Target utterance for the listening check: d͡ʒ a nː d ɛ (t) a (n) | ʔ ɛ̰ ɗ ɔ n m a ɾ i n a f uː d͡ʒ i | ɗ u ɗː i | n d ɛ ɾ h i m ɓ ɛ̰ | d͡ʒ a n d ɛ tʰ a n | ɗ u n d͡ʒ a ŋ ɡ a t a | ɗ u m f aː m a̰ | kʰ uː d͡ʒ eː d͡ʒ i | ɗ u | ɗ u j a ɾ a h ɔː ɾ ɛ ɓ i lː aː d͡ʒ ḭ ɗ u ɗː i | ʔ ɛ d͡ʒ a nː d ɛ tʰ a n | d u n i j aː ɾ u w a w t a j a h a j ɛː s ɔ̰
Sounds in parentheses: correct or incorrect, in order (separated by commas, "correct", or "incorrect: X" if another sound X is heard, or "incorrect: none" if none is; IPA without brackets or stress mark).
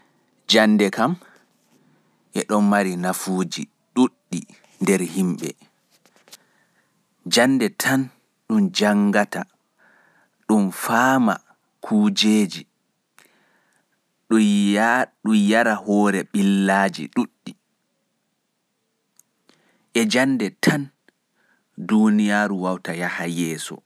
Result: incorrect: k, incorrect: m